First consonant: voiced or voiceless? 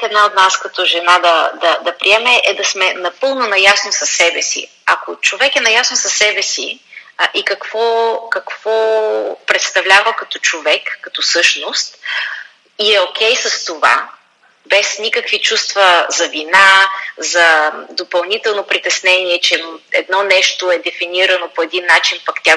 voiced